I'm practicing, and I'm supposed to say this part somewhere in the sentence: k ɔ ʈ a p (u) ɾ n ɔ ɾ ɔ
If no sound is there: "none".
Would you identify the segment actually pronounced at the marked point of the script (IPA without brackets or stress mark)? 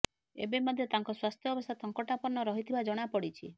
ɔ